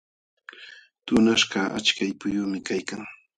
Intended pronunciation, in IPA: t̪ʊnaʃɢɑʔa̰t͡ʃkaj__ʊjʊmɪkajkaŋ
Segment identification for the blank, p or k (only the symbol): p